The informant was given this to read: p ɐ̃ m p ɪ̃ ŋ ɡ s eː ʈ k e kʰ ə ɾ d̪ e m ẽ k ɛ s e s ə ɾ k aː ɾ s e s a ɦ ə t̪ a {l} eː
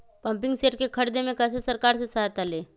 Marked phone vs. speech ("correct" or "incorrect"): correct